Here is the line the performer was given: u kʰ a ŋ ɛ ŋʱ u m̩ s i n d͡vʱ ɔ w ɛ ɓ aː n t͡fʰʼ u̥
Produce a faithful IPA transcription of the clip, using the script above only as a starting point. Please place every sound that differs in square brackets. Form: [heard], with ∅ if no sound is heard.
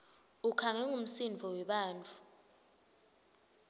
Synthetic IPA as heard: u kʰ a ŋ ɛ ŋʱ u m̩ s i n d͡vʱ ɔ w ɛ ɓ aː n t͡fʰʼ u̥